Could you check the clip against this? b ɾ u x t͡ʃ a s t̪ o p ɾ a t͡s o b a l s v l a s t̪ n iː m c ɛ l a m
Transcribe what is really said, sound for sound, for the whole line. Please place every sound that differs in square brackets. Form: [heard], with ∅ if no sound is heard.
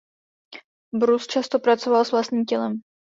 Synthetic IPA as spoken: b ɾ u [s] t͡ʃ a s t̪ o p ɾ a t͡s o [v] a l s v l a s t̪ [ɲ] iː m c ɛ l [ɛ] m